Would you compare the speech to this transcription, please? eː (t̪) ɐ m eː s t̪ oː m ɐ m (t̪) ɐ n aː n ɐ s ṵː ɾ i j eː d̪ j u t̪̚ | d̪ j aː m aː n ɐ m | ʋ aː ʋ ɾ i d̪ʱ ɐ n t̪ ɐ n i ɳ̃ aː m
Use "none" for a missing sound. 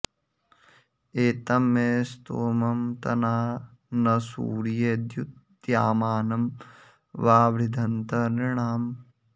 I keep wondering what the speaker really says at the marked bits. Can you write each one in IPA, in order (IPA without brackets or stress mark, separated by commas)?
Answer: t̪, t̪